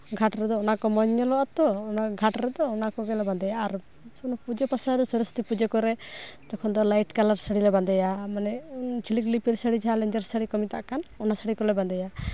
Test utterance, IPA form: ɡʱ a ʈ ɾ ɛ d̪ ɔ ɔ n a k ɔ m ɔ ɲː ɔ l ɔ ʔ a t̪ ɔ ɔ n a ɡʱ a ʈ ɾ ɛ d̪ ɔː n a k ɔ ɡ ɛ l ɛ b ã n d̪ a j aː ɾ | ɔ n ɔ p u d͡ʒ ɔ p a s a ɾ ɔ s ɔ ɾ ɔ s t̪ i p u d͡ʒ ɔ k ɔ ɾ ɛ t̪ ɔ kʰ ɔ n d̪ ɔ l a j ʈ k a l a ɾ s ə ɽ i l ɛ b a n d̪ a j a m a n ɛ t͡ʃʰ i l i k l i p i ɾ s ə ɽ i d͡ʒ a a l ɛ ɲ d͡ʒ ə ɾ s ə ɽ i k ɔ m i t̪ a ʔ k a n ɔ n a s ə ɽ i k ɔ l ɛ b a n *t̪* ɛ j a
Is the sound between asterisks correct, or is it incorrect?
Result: incorrect